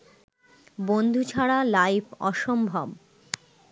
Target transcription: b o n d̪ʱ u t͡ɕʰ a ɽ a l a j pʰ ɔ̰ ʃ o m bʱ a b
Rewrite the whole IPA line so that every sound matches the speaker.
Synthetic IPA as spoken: b o n d̪ʱ u t͡ɕʰ a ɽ a l a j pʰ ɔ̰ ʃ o m bʱ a b